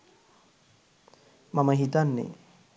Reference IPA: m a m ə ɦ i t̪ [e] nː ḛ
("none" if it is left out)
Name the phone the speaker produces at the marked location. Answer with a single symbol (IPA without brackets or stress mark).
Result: a